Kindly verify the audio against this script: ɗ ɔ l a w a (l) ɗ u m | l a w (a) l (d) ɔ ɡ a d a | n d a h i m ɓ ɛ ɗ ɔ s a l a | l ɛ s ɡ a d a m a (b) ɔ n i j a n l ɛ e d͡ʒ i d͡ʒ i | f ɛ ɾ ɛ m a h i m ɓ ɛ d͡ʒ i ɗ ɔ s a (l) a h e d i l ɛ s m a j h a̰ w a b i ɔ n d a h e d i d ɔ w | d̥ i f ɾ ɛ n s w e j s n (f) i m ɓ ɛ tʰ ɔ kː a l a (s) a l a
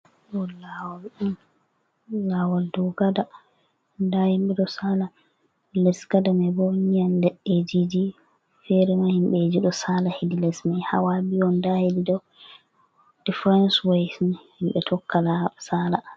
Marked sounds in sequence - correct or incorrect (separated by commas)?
correct, correct, correct, correct, correct, incorrect, correct